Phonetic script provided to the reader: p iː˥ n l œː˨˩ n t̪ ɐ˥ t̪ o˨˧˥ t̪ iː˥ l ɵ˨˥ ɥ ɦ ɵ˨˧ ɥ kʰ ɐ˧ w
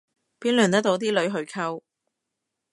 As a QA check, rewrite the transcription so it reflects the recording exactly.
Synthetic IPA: p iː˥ n l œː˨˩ n t̪ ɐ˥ t̪ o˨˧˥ t̪ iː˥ l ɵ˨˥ ɥ ɦ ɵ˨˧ ɥ kʰ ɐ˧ w